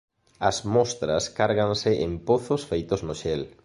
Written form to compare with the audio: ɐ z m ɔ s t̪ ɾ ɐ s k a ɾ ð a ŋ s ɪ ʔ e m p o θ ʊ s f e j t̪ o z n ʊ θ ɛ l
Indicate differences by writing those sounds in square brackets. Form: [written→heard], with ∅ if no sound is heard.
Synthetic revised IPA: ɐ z m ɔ s t̪ ɾ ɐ s k a ɾ [ð→ɣ] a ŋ s ɪ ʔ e m p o θ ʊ s f e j t̪ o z n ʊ [θ→ʃ] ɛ l